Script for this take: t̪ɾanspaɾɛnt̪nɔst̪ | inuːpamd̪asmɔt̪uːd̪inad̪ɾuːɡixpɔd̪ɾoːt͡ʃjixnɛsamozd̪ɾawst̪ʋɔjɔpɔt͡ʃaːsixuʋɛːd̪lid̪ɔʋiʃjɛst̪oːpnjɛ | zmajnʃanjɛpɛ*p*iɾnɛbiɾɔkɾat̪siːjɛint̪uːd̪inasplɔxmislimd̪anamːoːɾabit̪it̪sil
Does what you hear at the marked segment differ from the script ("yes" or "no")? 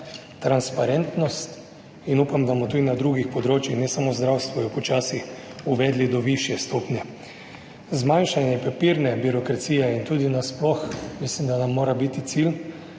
no